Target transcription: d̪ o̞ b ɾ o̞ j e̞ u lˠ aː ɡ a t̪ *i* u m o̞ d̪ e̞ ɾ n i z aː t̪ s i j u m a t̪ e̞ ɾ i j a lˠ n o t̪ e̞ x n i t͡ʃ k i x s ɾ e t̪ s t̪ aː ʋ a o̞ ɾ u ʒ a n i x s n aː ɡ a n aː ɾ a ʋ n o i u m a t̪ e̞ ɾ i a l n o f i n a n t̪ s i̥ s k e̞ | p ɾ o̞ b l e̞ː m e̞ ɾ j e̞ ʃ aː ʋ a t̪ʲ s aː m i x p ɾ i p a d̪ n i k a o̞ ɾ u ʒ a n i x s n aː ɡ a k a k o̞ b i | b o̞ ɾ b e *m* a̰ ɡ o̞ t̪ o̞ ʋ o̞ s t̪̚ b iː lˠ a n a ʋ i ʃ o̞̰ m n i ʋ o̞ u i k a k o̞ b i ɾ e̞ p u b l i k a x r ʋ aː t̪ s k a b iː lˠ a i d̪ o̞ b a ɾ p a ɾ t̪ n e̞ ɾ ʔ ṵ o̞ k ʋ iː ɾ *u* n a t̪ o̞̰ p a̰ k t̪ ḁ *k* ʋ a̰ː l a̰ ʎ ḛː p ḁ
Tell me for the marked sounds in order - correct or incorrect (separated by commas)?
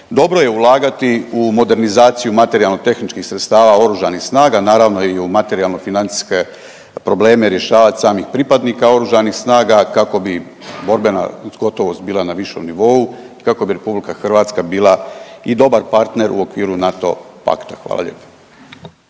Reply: correct, incorrect, correct, incorrect